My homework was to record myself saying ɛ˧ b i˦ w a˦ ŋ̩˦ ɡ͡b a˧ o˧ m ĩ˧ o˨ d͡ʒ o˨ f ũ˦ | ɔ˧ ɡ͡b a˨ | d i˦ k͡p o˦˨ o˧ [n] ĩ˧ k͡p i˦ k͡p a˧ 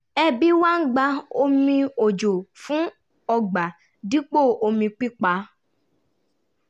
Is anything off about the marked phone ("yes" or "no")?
yes